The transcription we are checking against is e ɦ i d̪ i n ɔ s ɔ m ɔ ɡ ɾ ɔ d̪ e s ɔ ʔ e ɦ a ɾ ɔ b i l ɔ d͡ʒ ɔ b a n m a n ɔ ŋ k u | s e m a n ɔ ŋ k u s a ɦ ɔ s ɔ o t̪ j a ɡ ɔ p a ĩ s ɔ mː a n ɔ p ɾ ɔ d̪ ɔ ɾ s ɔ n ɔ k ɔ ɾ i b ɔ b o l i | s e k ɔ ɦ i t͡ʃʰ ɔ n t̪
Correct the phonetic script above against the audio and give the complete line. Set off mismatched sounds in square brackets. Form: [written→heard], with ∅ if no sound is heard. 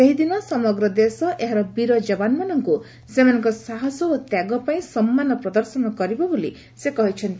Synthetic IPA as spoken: e ɦ i d̪ i n ɔ s ɔ m ɔ ɡ ɾ ɔ d̪ e s ɔ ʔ e ɦ a ɾ ɔ b i [l→ɾ] ɔ d͡ʒ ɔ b a n m a n ɔ ŋ k u | s e m a n ɔ ŋ k [u→ɔ] s a ɦ ɔ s ɔ o t̪ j a ɡ ɔ p a ĩ s ɔ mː a n ɔ p ɾ ɔ d̪ ɔ ɾ s ɔ n ɔ k ɔ ɾ i b ɔ b o l i | s e k ɔ ɦ i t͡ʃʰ ɔ n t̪